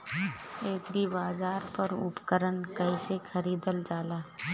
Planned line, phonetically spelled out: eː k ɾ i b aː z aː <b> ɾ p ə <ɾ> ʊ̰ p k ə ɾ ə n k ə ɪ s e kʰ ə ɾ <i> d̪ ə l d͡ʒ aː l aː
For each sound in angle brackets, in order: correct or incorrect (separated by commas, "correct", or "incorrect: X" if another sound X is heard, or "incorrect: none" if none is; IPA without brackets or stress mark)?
incorrect: none, correct, incorrect: iː